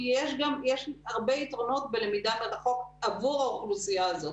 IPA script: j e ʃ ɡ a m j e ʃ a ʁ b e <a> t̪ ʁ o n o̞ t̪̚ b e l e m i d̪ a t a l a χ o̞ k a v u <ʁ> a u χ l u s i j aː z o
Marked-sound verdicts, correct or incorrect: incorrect: i, correct

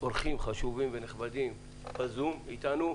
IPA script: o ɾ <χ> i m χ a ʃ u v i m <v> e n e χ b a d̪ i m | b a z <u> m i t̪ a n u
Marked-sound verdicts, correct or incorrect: correct, correct, correct

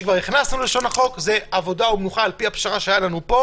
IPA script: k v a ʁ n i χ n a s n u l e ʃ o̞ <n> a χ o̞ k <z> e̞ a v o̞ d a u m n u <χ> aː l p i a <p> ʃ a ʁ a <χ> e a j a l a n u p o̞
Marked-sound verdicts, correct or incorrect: correct, correct, correct, correct, incorrect: ʃ

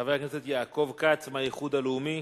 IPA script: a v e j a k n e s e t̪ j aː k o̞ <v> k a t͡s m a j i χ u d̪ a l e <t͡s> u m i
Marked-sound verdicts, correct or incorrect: correct, incorrect: none

